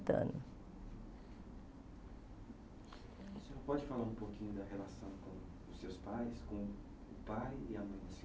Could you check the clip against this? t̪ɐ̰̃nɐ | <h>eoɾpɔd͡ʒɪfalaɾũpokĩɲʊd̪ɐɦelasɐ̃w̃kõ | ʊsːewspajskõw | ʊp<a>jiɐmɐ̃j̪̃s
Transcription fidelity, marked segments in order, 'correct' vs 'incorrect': incorrect: s, correct

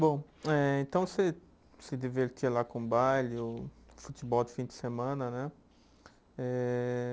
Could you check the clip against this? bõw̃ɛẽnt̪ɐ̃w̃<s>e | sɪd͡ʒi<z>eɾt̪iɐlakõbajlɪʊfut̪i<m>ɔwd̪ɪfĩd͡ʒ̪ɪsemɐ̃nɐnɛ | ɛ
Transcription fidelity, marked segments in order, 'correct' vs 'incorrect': correct, incorrect: v, incorrect: b

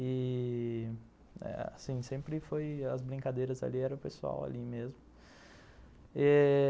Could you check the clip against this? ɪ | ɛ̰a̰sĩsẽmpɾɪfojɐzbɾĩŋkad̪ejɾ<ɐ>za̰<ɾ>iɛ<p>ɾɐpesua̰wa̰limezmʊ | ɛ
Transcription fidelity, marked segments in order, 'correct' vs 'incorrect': correct, incorrect: l, incorrect: none

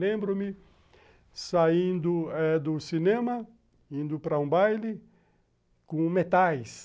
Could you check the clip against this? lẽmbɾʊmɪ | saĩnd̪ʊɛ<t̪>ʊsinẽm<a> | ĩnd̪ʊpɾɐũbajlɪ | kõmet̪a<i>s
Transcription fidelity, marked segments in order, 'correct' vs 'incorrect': incorrect: d̪, incorrect: ɐ, incorrect: j

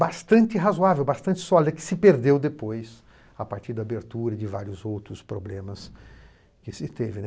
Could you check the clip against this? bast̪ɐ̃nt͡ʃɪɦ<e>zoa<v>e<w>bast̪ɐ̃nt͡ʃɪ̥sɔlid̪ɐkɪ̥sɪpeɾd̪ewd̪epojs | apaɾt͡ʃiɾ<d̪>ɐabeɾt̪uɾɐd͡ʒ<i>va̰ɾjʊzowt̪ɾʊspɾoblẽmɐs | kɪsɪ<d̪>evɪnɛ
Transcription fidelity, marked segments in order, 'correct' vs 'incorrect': incorrect: a, correct, correct, correct, incorrect: ɪ, incorrect: t̪

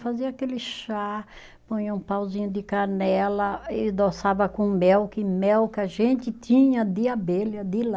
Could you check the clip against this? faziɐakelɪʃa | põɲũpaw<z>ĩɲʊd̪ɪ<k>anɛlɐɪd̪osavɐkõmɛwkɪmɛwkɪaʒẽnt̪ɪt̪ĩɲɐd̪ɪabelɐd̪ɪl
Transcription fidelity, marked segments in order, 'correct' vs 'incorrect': correct, correct

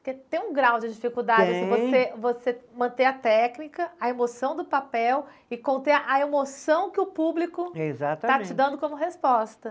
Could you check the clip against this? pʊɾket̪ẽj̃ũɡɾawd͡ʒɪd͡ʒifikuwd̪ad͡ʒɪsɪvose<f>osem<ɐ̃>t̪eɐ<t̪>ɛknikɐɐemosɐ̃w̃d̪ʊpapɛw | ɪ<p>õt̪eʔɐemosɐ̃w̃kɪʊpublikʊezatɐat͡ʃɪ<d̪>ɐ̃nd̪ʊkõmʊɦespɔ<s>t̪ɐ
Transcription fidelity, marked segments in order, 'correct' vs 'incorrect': incorrect: v, correct, correct, incorrect: k, correct, correct

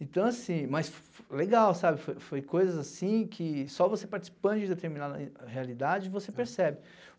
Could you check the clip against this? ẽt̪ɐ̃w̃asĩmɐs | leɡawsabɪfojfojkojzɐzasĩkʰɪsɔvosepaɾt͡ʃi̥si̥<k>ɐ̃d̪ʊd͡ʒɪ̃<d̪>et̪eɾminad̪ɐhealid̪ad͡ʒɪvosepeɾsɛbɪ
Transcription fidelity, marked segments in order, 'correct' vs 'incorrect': incorrect: p, correct

